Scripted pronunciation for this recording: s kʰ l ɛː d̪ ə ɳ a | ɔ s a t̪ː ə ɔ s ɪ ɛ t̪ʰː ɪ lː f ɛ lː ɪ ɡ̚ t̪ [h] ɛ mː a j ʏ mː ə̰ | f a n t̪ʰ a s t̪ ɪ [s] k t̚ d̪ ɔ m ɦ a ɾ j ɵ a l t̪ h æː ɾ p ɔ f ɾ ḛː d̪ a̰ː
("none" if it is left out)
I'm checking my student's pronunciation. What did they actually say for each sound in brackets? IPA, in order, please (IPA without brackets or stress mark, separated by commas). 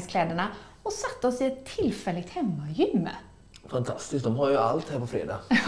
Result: h, s